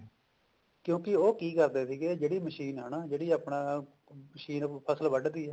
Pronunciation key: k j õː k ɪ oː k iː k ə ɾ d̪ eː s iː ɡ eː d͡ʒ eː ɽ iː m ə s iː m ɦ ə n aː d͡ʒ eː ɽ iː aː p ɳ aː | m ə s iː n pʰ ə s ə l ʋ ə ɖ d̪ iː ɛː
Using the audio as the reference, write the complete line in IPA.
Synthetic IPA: k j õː k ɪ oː k iː k ə ɾ d̪ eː s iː ɡ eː d͡ʒ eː ɽ iː m ə ʃ iː n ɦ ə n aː d͡ʒ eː ɽ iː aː p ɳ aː | m ə ʃ iː n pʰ ə s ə l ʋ ə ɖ d̪ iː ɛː